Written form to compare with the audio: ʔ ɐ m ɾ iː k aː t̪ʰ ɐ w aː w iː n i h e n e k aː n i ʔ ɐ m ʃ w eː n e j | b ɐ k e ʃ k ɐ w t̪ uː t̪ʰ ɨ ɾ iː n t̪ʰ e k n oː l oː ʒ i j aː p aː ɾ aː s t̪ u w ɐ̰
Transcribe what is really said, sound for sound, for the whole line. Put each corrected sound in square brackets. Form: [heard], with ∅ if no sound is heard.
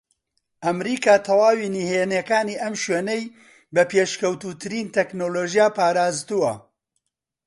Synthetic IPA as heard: ʔ ɐ m ɾ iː k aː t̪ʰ ɐ w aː w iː n i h e n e k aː n i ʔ ɐ m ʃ w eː n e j | b ɐ [p] e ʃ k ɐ w t̪ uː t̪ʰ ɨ ɾ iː n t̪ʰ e k n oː l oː ʒ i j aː p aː ɾ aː [z] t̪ u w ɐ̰